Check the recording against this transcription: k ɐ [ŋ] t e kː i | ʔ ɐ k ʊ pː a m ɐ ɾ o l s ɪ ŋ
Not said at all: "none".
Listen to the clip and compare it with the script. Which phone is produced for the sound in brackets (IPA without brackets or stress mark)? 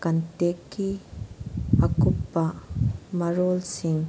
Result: n